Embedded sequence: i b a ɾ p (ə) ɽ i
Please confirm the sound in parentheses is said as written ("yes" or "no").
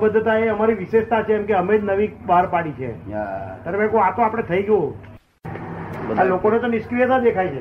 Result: no